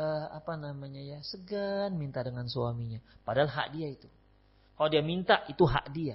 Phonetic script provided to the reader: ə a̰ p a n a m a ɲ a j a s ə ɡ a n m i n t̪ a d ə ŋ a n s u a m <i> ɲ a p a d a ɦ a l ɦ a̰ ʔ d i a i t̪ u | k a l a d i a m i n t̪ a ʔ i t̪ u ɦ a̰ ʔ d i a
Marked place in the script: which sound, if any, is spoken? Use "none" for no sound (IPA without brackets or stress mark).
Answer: i